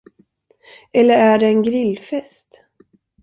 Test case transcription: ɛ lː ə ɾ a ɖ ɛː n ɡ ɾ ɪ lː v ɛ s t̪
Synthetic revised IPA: ɛ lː ə ɾ æ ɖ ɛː n ɡ ɾ ɪ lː f ɛ s t̪